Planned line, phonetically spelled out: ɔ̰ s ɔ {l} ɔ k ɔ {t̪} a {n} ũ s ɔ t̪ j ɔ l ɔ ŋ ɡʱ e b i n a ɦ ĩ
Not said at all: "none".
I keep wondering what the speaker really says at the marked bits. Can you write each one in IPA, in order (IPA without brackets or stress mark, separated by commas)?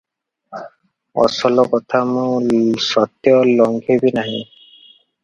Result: l, t̪ʰ, m